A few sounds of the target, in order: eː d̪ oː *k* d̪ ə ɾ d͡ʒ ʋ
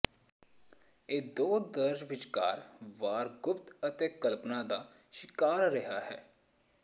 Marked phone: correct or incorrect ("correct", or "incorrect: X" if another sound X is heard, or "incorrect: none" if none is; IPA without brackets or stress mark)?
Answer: incorrect: none